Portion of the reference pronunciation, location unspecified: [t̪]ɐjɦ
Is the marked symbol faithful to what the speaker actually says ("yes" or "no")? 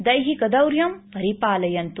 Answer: no